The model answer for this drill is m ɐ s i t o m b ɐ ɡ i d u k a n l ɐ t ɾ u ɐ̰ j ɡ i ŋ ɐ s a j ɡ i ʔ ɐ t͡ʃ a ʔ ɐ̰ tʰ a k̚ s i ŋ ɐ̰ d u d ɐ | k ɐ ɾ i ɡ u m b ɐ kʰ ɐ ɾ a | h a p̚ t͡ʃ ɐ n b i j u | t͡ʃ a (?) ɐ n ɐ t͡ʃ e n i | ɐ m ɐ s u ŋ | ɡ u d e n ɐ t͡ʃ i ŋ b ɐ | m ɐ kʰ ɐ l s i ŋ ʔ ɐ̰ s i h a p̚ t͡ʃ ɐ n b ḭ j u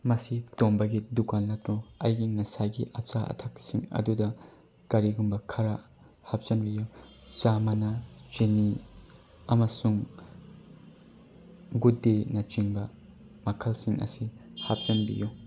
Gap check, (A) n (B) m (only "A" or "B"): B